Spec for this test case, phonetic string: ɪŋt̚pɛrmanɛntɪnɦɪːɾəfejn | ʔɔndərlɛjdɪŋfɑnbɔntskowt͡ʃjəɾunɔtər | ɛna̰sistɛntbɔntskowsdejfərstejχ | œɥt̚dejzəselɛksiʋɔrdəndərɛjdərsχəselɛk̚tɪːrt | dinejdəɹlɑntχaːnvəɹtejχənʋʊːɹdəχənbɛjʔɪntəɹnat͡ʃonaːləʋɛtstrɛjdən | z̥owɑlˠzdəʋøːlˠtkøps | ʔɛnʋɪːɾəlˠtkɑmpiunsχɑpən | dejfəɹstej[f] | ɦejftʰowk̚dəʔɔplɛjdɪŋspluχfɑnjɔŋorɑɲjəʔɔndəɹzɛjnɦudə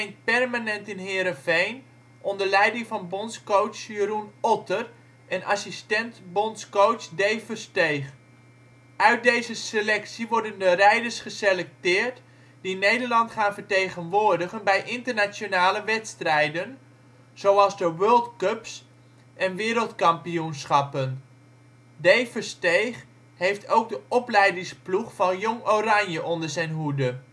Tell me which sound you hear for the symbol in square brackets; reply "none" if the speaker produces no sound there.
χ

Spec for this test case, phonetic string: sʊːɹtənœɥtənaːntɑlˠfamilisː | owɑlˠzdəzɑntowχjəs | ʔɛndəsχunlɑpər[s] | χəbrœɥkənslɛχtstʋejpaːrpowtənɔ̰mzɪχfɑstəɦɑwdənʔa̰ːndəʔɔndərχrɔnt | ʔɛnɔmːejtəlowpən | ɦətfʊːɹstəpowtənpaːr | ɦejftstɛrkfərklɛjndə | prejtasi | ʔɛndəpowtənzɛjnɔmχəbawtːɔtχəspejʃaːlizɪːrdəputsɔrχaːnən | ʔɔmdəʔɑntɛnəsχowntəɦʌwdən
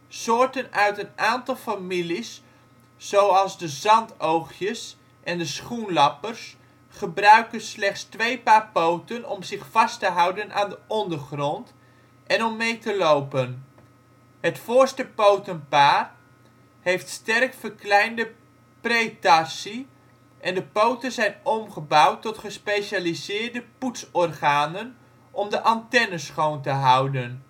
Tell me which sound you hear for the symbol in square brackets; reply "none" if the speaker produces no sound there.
s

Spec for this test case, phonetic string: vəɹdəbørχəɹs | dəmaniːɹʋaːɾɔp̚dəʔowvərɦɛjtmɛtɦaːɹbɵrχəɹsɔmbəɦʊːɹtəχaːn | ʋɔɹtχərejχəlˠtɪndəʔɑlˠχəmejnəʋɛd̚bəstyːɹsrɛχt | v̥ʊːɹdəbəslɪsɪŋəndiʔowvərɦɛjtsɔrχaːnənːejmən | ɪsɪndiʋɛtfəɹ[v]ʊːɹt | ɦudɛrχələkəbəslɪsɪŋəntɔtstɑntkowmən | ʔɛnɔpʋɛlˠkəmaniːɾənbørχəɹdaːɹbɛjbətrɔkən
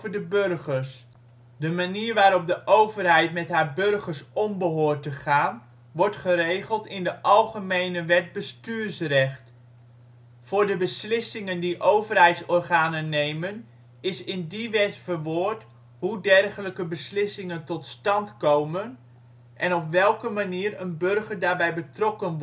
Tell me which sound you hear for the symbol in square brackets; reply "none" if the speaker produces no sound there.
ʋ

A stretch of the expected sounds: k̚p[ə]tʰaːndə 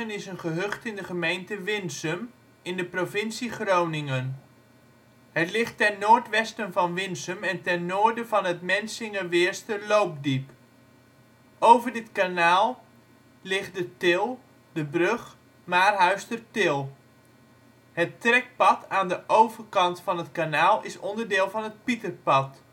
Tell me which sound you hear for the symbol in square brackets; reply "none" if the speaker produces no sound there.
ɑ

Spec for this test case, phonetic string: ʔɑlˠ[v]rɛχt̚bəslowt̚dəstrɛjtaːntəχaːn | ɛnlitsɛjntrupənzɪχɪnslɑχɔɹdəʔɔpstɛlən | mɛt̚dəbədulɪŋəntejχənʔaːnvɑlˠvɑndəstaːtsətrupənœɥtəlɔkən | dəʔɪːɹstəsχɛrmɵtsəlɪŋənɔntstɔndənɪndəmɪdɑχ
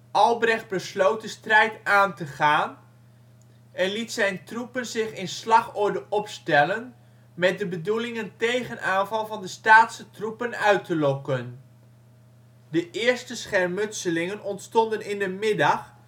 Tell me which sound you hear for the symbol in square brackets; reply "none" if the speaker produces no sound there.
b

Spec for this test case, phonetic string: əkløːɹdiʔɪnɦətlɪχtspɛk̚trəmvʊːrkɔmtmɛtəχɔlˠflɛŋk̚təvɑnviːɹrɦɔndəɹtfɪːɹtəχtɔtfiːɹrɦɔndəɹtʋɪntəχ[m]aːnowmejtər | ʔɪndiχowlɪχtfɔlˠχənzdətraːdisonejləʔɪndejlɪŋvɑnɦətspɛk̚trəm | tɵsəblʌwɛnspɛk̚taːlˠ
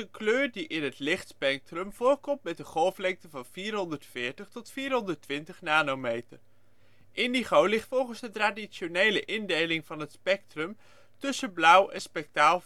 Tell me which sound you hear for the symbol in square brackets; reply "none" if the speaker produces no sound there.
n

